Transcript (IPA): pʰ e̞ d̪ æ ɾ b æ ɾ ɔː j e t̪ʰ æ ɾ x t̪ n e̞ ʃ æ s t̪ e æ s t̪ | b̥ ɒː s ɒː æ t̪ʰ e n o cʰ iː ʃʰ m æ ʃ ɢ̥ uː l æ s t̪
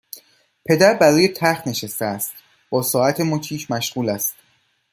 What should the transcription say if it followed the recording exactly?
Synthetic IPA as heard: pʰ e̞ d̪ æ ɾ b æ ɾ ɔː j e t̪ʰ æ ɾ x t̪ n e̞ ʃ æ s t̪ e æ s t̪ | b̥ ɒː s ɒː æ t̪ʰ e m o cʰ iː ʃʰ m æ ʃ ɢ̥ uː l æ s t̪